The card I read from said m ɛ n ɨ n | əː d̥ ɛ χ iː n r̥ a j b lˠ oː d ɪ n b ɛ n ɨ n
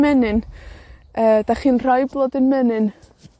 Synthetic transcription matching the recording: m ɛ n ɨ n | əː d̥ a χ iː n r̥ a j b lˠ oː d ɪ n m ɛ n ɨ n